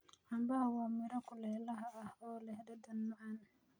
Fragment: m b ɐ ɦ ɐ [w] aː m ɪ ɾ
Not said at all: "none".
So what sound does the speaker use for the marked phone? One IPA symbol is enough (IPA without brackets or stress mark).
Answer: w